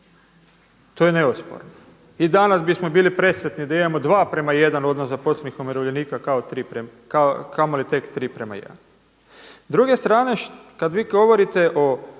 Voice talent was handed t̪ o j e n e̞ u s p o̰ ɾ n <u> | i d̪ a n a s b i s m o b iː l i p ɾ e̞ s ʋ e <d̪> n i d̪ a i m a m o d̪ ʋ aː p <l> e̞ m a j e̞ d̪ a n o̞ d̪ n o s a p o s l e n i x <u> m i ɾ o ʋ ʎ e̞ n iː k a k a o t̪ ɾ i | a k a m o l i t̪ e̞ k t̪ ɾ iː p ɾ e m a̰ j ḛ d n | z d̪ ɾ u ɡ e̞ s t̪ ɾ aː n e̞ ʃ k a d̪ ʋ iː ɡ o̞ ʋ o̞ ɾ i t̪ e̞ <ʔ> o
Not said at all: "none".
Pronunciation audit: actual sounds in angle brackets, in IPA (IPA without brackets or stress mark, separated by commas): o, t̪, ɾ, o, ʔ